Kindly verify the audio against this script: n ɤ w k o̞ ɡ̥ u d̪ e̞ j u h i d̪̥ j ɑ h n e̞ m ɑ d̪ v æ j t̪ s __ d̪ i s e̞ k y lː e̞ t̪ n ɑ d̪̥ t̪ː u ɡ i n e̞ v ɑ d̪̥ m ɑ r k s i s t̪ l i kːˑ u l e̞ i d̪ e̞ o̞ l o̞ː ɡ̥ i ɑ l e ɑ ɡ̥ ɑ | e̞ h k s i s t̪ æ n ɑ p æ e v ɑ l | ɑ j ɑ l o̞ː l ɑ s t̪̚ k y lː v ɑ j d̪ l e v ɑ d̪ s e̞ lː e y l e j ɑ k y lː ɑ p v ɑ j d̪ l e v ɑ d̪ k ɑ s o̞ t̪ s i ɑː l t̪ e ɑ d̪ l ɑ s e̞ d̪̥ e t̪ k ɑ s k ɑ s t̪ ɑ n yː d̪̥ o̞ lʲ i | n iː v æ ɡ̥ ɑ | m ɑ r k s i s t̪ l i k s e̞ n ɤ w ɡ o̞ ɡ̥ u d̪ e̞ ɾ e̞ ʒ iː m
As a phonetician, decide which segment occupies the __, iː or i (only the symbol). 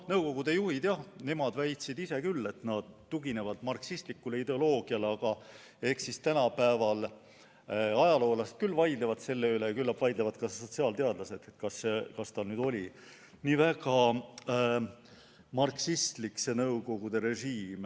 i